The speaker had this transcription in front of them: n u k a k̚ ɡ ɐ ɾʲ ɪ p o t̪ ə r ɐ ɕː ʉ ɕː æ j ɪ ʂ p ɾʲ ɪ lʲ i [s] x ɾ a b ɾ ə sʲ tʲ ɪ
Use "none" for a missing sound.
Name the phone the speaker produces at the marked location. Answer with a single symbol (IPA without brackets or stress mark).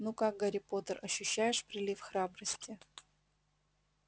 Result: f